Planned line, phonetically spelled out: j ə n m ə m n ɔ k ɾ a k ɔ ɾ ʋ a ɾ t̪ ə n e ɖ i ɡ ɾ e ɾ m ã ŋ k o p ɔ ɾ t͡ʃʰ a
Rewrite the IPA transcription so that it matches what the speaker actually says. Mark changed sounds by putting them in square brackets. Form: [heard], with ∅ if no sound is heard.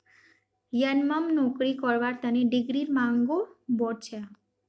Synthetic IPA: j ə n m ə m n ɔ k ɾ [i] k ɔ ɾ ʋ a ɾ t̪ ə n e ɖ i ɡ ɾ [i] ɾ m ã ŋ [ɡ] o [b] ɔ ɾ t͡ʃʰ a

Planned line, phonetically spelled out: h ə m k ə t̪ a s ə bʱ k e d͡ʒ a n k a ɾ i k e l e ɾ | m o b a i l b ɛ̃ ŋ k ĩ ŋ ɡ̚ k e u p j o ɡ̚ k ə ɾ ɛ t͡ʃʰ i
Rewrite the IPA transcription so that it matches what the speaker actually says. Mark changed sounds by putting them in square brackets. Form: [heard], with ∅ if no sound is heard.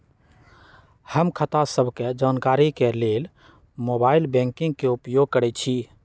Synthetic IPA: h ə m [kʰ] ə t̪ a s ə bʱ k e d͡ʒ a n k a ɾ i k e l e [l] | m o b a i l b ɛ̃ ŋ k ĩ ŋ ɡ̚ k e u p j o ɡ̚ k ə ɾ ɛ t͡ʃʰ i

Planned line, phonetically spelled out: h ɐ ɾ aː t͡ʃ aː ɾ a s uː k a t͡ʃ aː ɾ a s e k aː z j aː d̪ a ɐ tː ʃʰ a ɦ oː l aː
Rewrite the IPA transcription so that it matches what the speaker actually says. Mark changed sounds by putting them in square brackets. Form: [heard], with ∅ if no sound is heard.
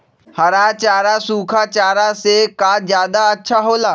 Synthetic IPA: h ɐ ɾ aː t͡ʃ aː ɾ a s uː [kʰ] a t͡ʃ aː ɾ a s e k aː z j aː d̪ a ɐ tː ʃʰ a ɦ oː l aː

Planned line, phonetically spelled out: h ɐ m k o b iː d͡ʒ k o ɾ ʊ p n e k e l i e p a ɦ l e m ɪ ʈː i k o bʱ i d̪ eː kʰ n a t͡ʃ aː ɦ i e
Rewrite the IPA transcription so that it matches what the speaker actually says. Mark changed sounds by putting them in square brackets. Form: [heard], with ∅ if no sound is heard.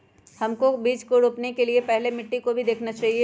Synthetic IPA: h ɐ m k o b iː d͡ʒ k o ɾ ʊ p n e k e l i e p [ɛ] ɦ l e m ɪ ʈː i k o bʱ i d̪ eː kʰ n a t͡ʃ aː ɦ i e

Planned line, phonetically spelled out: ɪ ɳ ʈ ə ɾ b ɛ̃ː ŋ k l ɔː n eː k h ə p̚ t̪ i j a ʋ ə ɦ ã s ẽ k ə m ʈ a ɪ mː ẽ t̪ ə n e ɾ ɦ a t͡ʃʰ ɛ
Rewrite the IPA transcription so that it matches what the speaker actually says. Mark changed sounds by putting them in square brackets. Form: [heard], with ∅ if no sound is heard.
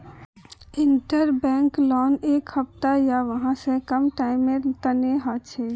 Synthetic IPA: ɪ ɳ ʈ ə ɾ b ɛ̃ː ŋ k l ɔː n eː k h ə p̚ t̪ [a] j a ʋ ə ɦ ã s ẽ k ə m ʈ a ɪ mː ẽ t̪ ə n e [∅] ɦ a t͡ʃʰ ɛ

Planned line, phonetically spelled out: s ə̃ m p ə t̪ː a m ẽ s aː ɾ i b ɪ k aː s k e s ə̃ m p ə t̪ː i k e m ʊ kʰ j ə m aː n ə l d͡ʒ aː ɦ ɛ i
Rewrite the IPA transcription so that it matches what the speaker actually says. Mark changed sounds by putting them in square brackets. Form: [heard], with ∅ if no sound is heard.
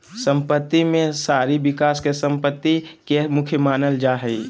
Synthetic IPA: s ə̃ m p ə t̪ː [i] m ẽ s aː ɾ i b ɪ k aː s k e s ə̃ m p ə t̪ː i k e m ʊ kʰ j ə m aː n ə l d͡ʒ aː ɦ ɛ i

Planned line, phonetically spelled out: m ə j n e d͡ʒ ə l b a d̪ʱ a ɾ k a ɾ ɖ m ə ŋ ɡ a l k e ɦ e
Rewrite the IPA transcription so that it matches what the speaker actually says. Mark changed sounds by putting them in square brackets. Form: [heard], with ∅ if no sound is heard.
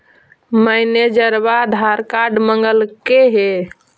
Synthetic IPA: m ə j n e d͡ʒ ə [ɾ] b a d̪ʱ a ɾ k a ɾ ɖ m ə ŋ ɡ [ə] l k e ɦ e

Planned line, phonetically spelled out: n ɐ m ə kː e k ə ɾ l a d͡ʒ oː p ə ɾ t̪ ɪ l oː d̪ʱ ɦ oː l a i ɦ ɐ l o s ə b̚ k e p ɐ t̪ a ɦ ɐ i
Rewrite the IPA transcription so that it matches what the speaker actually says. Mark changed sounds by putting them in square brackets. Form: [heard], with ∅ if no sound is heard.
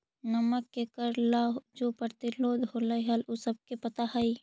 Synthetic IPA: n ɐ m ə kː e k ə ɾ l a d͡ʒ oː p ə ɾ t̪ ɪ l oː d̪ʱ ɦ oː l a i ɦ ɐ l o s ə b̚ k e p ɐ t̪ a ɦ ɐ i

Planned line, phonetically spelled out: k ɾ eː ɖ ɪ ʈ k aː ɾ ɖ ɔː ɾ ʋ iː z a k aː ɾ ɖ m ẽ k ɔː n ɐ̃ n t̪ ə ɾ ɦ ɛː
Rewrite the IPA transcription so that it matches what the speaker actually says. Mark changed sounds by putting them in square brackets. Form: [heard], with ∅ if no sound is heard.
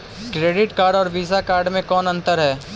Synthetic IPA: k ɾ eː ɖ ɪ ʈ k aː ɾ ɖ ɔː ɾ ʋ iː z a k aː ɾ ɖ m ẽ k ɔː n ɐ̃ n t̪ ə ɾ ɦ ɛː

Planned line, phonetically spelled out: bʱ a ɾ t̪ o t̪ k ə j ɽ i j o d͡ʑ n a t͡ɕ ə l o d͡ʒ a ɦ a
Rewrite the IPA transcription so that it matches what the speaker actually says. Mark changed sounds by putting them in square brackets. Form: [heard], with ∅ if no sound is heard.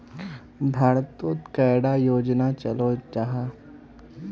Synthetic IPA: bʱ a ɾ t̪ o t̪ k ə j ɽ [a] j o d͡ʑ n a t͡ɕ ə l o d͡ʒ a ɦ a

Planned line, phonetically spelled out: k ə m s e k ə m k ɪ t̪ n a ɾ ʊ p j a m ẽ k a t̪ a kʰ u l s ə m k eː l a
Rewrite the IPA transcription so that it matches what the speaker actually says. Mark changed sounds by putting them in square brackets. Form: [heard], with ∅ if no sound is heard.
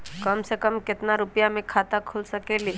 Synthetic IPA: k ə m s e k ə m k ɪ t̪ n a ɾ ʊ p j a m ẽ [kʰ] a t̪ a kʰ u l s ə [∅] k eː l [i]

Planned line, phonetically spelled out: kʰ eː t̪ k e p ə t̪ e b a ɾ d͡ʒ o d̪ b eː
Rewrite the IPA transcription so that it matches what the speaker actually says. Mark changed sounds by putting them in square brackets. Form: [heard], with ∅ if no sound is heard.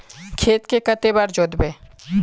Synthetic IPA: kʰ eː t̪ k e [k] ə t̪ e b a ɾ d͡ʒ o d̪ b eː

